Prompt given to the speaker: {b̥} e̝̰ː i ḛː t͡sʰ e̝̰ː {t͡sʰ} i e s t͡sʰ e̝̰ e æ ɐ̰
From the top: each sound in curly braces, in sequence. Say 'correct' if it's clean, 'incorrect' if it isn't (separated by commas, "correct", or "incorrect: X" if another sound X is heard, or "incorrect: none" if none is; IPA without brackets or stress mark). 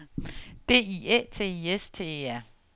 incorrect: d̥, incorrect: none